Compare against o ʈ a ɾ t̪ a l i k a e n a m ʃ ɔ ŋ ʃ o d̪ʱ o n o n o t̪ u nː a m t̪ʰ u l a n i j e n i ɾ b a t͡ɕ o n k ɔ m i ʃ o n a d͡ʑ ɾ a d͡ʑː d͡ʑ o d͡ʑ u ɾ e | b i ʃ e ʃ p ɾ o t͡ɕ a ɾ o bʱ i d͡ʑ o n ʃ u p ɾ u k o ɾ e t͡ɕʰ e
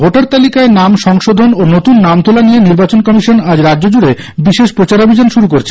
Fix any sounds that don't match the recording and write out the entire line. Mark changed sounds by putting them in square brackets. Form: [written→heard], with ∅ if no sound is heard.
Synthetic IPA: o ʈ a ɾ t̪ a l i k a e n a m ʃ ɔ ŋ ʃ o d̪ʱ o n o n o t̪ u nː a m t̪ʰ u l a n i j e n i ɾ b a t͡ɕ o n k ɔ m i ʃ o n a d͡ʑ ɾ a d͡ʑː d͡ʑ o d͡ʑ u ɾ e | b i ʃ e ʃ p ɾ o t͡ɕ a ɾ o bʱ i d͡ʑ o n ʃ u [p→∅] ɾ u k o ɾ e t͡ɕʰ e